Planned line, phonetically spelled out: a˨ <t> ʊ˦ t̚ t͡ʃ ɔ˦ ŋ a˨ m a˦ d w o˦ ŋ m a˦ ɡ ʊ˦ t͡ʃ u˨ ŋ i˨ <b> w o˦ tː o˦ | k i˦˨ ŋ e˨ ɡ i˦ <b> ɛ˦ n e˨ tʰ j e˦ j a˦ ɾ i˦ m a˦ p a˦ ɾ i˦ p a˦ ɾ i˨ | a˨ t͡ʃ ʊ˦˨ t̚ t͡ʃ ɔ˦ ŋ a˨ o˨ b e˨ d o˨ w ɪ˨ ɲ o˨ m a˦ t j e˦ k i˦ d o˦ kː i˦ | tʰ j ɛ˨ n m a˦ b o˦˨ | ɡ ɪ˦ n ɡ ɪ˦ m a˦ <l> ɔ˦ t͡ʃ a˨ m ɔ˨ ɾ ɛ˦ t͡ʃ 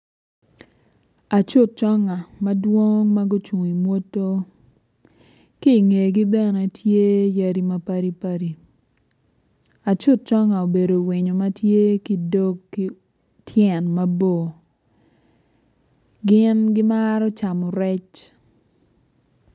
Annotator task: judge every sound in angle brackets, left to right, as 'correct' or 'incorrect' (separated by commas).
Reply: incorrect, incorrect, correct, incorrect